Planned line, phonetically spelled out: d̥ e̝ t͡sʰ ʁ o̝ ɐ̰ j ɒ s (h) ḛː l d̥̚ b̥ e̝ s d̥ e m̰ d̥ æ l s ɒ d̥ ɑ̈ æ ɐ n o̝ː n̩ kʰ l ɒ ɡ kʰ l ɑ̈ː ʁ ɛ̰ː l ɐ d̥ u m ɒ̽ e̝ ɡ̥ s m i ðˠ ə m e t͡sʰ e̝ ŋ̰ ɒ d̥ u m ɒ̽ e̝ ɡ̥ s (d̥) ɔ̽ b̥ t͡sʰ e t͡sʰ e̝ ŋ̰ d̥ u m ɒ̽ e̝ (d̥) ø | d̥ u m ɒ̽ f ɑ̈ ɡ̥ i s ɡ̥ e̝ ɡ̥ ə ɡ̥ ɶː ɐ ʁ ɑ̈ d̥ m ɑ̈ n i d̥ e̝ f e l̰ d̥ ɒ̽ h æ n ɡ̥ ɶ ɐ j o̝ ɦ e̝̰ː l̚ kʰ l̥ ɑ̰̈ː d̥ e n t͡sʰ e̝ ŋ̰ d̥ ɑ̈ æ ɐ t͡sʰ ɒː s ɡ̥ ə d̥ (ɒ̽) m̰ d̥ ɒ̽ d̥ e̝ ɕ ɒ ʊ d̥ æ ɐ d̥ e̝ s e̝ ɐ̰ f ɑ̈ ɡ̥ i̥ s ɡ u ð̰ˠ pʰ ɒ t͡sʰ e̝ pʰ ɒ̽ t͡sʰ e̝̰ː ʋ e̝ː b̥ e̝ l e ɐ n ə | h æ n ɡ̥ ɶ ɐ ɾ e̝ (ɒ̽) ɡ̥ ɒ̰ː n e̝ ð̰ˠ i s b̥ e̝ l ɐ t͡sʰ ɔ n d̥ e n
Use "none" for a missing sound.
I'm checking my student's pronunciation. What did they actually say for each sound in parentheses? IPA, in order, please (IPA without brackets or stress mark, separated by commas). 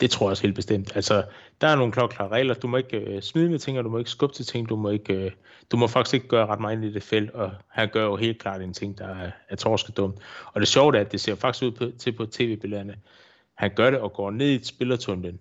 h, ɡ̥, ɡ̥, ɔ̽, ɒ̽